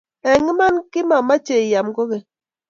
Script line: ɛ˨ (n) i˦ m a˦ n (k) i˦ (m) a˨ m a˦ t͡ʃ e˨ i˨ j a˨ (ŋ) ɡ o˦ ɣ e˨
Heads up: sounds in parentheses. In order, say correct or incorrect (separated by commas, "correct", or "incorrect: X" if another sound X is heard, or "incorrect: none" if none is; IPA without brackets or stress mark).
incorrect: ŋ, correct, correct, incorrect: m